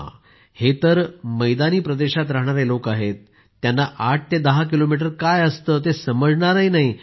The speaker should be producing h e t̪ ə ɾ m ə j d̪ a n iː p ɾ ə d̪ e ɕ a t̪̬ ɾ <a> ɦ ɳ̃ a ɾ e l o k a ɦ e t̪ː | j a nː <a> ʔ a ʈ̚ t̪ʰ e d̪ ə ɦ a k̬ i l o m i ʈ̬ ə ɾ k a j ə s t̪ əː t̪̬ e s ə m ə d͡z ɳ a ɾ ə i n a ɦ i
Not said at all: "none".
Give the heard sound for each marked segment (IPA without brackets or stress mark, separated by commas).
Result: a, a